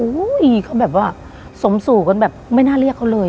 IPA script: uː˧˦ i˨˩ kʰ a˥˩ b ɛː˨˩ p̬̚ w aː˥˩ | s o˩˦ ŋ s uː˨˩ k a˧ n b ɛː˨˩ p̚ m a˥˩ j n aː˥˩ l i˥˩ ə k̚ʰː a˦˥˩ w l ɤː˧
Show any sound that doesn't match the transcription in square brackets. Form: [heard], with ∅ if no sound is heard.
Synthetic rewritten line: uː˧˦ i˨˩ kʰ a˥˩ b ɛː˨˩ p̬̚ w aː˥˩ | s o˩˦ [m] s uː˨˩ k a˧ n b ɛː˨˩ p̚ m a˥˩ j n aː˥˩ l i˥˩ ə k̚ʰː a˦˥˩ w l ɤː˧

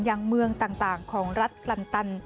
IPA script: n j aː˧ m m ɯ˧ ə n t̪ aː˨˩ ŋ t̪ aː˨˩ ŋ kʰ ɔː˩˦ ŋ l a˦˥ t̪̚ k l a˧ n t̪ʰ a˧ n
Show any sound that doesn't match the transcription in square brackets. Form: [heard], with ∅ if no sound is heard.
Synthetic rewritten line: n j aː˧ [ŋ] m ɯ˧ ə [ŋ] t̪ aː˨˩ ŋ t̪ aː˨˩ ŋ kʰ ɔː˩˦ ŋ [ɾ] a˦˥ t̪̚ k l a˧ n [t̪] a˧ n

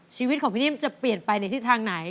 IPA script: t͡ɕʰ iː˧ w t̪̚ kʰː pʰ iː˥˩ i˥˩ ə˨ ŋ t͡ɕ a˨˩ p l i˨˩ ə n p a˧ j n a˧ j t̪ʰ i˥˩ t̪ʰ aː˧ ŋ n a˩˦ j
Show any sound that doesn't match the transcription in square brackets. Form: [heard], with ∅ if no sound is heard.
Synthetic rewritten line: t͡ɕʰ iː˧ w t̪̚ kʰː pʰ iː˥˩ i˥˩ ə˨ [m] t͡ɕ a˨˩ p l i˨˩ ə n p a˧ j n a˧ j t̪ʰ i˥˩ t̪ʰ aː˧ ŋ n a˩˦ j

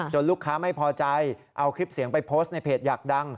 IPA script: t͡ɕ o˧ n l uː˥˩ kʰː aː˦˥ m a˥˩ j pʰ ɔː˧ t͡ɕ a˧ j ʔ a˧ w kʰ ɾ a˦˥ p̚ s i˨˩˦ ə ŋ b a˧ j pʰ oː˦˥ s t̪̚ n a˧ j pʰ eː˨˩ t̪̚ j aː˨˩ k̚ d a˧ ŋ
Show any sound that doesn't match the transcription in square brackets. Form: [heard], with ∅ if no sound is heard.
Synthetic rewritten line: t͡ɕ o˧ n l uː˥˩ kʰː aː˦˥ m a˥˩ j pʰ ɔː˧ t͡ɕ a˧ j ʔ a˧ w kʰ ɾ [i˦˥] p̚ s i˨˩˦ ə ŋ [p] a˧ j pʰ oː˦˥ s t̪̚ n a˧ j pʰ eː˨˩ t̪̚ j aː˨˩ k̚ d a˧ ŋ

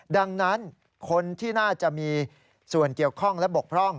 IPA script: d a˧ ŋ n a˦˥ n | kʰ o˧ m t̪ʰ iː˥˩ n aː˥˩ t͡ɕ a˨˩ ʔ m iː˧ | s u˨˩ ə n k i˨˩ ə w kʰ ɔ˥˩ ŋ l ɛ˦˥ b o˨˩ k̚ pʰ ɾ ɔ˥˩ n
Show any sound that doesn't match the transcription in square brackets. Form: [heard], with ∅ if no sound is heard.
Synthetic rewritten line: d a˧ ŋ n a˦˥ n | kʰ o˧ [n] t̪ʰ iː˥˩ n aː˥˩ t͡ɕ a˨˩ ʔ m iː˧ | s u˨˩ ə n k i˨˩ ə w kʰ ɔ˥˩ ŋ l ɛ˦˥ b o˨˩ k̚ pʰ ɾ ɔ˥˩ [ŋ]

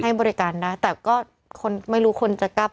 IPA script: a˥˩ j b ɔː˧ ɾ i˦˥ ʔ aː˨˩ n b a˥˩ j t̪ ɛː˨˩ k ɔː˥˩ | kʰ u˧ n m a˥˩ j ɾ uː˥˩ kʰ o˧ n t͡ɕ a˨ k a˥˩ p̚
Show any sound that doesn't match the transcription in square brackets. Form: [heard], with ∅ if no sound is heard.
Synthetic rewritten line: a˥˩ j b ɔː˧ ɾ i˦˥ [k] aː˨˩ n [d] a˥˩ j t̪ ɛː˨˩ k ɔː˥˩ | kʰ [o˧] n m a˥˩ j ɾ [uː˦˥] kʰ o˧ n t͡ɕ a˨ k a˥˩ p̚

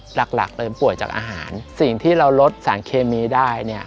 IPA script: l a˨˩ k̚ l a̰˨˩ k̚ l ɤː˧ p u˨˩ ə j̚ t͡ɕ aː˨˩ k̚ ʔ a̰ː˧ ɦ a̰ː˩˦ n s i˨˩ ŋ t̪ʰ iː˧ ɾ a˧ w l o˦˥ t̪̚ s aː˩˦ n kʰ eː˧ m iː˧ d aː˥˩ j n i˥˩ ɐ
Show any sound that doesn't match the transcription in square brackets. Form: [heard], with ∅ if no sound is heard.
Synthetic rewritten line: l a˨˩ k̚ l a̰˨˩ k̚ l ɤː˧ p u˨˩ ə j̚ t͡ɕ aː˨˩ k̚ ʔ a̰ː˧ ɦ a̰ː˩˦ n s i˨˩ ŋ t̪ʰ [iː˥˩] ɾ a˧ w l o˦˥ t̪̚ s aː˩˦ n kʰ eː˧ m iː˧ d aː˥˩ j n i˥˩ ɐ

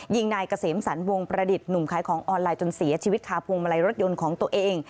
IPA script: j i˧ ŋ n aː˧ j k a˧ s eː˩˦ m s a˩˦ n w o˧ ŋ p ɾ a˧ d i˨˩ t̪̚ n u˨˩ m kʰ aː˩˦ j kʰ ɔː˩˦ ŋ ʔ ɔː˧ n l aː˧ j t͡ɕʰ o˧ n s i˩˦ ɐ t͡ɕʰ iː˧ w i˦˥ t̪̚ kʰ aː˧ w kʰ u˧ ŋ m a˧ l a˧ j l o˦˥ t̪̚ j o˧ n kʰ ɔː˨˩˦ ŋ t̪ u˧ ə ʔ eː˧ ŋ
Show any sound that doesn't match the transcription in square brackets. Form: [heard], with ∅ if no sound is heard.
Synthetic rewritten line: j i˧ ŋ n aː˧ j k a˧ s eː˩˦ m s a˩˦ n w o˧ ŋ p ɾ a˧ d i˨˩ t̪̚ n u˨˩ m kʰ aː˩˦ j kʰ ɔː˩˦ ŋ ʔ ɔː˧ n l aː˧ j [t͡ɕ] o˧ n s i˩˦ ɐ t͡ɕʰ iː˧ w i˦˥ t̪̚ kʰ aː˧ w [pʰ] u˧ ŋ m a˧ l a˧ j [ɾ] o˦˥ t̪̚ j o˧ n kʰ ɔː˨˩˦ ŋ t̪ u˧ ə ʔ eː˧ ŋ

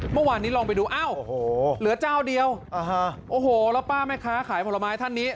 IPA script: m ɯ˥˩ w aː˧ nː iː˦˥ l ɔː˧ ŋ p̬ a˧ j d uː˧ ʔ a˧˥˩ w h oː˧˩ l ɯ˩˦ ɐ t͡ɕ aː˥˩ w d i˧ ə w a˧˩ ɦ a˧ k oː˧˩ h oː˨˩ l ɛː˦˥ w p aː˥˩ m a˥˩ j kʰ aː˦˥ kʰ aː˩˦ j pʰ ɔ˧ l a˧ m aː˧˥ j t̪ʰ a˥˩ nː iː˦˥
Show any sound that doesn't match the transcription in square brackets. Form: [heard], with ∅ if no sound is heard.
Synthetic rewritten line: m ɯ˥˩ w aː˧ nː iː˦˥ l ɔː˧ ŋ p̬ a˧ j d uː˧ ʔ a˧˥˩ w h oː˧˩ l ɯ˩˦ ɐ t͡ɕ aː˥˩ w d i˧ ə w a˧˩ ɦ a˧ [ʔ] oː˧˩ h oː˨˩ l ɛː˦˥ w p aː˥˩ m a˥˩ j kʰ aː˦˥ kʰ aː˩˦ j pʰ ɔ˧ l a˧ m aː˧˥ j t̪ʰ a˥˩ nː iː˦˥

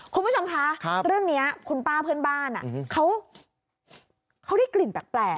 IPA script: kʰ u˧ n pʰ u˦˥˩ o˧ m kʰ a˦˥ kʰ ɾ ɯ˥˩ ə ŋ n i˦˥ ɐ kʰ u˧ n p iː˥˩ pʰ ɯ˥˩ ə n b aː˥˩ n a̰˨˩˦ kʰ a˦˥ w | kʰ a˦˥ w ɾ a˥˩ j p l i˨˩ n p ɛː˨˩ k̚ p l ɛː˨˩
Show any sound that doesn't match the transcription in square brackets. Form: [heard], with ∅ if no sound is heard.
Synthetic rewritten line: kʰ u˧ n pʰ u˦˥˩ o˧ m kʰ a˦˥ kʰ ɾ ɯ˥˩ ə ŋ n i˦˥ ɐ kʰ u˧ n p [aː˥˩] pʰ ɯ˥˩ ə n b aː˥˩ n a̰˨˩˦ kʰ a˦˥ w | kʰ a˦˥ w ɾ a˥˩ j [k] l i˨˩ n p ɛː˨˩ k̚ p l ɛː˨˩

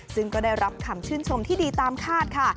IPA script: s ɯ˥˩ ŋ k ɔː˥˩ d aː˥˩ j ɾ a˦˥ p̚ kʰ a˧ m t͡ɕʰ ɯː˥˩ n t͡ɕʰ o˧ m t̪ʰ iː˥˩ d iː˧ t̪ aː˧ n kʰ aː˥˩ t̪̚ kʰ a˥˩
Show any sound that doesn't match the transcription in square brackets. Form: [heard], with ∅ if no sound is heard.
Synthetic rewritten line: s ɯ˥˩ ŋ k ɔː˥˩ d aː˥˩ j ɾ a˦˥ p̚ kʰ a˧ m t͡ɕʰ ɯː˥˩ n t͡ɕʰ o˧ m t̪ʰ iː˥˩ d iː˧ t̪ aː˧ [m] kʰ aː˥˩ t̪̚ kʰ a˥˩

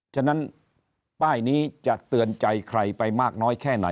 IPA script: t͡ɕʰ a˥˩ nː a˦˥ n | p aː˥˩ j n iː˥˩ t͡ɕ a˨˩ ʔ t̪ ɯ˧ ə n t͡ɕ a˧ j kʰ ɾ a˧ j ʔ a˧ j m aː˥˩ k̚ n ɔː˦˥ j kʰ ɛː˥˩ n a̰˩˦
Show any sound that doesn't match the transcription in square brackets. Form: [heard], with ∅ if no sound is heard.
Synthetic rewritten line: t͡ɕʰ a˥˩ [n] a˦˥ n | p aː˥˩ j n [iː˦˥] t͡ɕ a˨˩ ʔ t̪ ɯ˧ ə n t͡ɕ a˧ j kʰ ɾ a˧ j [p] a˧ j m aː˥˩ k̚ n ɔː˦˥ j kʰ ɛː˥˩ n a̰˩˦

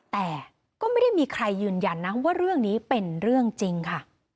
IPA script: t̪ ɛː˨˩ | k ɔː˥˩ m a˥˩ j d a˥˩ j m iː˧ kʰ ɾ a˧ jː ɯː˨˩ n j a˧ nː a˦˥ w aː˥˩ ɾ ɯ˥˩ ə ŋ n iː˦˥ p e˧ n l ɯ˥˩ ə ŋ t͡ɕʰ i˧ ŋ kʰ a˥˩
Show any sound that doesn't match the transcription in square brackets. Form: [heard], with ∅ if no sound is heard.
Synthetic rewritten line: t̪ ɛː˨˩ | k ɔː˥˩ m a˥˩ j d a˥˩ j m iː˧ kʰ ɾ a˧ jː ɯː˨˩ n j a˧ nː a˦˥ w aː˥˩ ɾ ɯ˥˩ ə ŋ n iː˦˥ p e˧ n [ɾ] ɯ˥˩ ə ŋ [t͡ɕ] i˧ ŋ kʰ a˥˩

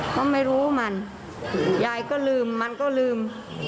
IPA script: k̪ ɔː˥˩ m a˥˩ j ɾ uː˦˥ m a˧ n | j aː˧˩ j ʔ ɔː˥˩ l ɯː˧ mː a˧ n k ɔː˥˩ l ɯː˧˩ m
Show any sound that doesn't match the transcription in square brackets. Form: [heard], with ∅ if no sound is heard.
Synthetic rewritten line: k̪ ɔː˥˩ m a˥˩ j ɾ uː˦˥ m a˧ n | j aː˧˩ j [k] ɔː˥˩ l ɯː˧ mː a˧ n k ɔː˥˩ l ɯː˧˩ m

